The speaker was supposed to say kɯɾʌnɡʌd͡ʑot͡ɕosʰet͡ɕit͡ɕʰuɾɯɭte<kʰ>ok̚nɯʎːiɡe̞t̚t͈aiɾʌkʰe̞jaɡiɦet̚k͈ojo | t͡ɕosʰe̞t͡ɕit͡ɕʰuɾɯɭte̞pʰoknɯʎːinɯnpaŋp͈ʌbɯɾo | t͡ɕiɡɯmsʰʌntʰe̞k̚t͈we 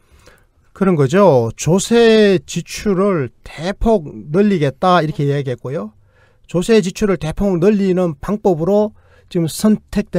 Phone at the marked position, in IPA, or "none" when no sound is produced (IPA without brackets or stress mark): pʰ